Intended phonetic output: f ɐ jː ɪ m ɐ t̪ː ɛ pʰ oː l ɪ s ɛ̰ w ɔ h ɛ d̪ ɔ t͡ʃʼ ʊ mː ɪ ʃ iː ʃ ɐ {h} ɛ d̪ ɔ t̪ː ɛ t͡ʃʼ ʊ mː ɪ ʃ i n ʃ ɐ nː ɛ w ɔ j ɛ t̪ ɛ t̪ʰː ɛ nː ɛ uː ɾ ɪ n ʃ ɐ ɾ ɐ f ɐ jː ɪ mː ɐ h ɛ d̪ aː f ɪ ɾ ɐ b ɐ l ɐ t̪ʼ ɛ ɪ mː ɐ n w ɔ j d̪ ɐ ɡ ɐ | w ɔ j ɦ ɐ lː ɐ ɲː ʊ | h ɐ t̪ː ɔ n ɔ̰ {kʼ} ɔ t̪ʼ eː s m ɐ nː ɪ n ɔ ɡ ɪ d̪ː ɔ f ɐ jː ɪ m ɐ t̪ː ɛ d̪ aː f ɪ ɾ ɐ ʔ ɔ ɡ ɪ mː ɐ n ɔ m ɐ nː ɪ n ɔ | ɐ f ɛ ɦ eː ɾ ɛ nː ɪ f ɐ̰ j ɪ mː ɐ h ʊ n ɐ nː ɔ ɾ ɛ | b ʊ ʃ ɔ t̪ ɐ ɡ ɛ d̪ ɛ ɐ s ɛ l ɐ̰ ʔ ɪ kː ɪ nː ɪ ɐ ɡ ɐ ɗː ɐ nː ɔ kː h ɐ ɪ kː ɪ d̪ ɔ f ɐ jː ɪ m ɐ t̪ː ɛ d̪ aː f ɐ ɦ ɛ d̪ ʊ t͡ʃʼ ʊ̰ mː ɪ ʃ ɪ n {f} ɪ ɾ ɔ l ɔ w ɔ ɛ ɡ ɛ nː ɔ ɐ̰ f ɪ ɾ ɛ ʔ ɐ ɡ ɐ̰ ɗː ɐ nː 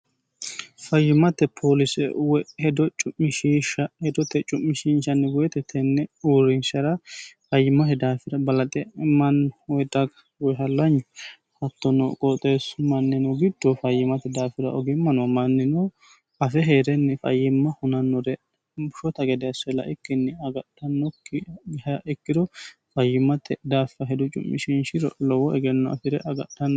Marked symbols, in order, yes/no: yes, yes, no

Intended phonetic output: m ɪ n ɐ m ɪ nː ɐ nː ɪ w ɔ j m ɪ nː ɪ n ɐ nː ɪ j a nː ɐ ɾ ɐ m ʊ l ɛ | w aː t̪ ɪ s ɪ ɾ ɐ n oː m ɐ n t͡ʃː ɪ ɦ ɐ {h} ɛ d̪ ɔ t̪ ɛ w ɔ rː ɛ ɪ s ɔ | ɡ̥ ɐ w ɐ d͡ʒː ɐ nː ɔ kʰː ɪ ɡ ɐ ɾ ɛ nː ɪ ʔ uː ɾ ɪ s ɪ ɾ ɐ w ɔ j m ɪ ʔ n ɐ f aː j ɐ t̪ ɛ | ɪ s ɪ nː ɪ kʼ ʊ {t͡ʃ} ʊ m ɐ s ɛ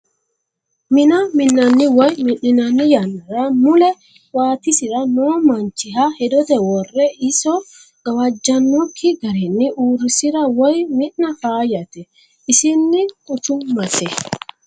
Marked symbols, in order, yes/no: yes, yes

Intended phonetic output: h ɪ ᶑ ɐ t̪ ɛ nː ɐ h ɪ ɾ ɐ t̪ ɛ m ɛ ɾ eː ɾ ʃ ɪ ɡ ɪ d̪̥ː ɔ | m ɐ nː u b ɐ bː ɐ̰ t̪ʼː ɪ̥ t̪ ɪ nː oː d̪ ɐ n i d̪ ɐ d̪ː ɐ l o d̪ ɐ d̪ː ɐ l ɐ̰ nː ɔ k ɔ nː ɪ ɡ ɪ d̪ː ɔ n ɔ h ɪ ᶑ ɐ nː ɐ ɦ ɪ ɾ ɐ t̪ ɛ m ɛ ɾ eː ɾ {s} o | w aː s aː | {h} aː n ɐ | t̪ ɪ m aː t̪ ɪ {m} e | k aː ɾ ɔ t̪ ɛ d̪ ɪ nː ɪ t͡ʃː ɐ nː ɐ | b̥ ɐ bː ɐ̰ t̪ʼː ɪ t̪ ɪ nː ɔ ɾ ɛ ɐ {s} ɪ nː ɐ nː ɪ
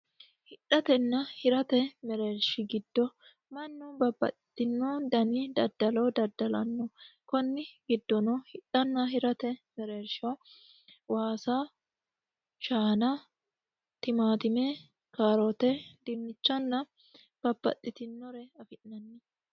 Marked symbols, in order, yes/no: no, no, yes, no

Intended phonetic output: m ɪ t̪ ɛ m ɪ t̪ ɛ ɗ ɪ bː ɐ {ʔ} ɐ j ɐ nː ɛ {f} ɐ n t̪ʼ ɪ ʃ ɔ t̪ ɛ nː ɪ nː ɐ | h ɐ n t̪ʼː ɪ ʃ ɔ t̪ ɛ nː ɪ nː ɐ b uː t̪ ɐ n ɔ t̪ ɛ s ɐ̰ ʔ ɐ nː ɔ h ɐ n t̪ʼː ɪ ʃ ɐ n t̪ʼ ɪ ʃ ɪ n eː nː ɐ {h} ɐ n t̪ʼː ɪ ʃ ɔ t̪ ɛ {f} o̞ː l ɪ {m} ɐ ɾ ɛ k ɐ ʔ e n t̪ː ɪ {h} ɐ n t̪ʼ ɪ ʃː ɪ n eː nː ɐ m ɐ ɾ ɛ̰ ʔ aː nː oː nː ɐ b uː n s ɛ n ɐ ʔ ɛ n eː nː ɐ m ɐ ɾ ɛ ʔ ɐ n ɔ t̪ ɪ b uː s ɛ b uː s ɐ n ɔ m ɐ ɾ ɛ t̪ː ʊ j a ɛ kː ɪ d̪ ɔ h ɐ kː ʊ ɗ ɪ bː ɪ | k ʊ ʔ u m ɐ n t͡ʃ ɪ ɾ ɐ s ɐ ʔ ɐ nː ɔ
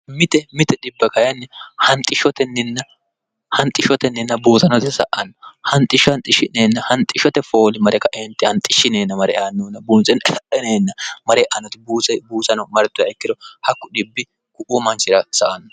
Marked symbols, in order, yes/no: no, no, yes, yes, yes, yes

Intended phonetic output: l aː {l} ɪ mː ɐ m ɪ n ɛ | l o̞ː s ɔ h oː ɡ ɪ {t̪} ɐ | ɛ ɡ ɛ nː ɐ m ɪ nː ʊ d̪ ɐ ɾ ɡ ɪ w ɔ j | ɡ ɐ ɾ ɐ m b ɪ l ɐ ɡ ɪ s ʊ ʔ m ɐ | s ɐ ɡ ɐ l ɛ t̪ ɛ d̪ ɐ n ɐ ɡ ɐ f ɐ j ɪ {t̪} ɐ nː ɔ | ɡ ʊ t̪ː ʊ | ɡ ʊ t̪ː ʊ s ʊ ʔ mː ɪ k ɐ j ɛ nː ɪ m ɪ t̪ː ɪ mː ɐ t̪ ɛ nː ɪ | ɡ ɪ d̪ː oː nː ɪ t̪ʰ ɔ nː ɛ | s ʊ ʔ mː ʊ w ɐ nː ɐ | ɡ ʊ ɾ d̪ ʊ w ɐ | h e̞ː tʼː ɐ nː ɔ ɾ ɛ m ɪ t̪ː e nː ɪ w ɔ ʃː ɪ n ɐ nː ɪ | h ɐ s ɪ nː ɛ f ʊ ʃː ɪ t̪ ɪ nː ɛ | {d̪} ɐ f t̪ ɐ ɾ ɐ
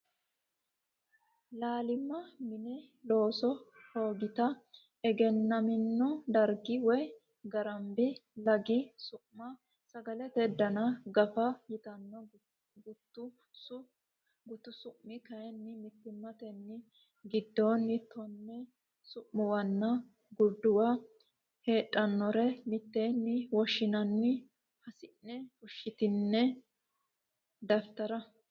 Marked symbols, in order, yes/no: yes, yes, yes, yes

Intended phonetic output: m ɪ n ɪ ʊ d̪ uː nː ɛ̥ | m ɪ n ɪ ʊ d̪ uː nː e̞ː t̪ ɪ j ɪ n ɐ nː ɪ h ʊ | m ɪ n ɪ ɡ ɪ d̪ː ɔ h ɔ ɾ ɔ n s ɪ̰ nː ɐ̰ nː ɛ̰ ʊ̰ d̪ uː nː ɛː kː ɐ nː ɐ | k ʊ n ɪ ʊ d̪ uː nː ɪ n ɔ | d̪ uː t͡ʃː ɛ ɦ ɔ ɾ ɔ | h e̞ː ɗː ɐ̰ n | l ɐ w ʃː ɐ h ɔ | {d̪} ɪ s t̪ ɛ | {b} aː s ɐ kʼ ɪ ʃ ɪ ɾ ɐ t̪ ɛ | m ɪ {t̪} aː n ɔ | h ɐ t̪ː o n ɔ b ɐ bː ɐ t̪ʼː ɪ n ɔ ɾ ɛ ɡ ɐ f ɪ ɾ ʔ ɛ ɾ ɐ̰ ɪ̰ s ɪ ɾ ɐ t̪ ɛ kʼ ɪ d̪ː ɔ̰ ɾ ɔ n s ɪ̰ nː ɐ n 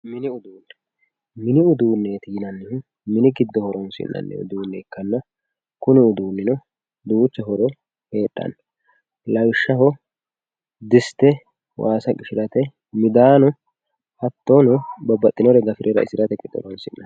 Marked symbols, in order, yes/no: yes, no, no

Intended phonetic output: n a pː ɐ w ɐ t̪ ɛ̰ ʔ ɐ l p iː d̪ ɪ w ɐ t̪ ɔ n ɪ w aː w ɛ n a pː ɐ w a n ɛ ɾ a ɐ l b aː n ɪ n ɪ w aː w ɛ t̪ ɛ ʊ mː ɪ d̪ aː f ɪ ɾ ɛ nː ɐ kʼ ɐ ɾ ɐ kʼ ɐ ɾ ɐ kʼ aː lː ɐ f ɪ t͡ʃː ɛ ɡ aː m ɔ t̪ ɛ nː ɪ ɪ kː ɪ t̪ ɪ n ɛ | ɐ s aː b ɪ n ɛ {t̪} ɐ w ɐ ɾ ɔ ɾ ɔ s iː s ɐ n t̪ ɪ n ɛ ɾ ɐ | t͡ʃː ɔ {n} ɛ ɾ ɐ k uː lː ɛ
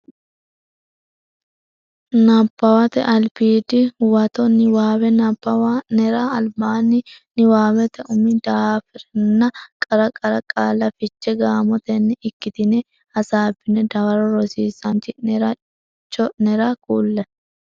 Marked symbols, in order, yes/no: no, yes

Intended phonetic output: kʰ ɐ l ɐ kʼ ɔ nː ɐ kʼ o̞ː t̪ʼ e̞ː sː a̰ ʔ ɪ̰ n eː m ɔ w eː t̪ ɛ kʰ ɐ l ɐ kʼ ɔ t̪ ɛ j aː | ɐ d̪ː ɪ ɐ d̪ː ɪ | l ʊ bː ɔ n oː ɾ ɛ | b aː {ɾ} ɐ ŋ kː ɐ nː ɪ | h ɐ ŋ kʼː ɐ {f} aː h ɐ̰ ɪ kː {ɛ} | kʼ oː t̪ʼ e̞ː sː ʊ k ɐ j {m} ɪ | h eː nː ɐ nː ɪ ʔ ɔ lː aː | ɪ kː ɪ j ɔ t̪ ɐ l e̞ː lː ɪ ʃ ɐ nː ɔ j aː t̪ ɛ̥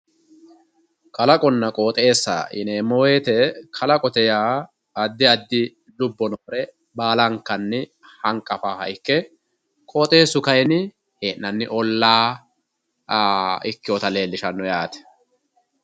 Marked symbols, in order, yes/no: no, yes, yes, no

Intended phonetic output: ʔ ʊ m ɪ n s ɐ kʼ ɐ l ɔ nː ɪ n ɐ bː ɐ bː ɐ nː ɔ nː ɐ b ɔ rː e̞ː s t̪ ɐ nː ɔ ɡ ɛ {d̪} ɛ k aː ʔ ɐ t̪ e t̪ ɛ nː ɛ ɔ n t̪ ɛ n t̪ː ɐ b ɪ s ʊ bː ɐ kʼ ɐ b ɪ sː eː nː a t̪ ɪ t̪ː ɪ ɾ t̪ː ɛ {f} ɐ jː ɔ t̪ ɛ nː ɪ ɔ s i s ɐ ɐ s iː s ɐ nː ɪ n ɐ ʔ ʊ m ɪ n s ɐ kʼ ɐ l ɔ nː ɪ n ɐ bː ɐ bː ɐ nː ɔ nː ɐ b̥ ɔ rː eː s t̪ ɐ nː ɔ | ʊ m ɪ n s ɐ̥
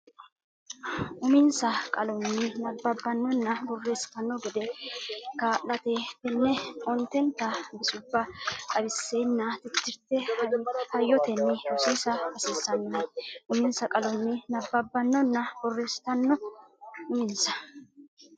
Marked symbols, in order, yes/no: yes, no

